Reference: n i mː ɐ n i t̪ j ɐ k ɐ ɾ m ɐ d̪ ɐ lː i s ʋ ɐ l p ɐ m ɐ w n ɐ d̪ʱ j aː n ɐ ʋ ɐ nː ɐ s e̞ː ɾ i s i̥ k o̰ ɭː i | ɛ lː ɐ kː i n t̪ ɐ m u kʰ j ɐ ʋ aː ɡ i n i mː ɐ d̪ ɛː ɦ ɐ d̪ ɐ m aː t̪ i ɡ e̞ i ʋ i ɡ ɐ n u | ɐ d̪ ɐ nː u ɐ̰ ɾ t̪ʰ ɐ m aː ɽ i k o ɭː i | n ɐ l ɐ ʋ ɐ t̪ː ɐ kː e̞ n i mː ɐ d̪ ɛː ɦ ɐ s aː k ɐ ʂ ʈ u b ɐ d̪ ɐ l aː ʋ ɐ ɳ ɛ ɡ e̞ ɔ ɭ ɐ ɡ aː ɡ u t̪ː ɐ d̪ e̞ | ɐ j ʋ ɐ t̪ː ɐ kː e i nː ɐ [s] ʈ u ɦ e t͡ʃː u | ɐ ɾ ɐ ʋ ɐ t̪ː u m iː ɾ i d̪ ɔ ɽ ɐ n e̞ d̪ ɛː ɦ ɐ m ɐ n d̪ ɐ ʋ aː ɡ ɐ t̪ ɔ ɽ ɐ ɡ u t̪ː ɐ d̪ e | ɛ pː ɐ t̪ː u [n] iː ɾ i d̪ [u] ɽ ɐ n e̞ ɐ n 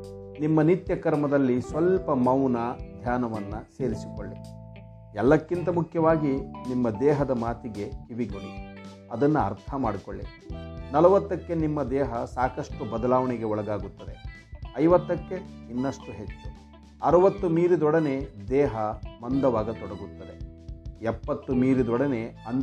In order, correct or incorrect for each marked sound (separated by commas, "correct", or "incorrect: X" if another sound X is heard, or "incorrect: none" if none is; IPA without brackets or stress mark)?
incorrect: ʂ, incorrect: m, incorrect: ɔ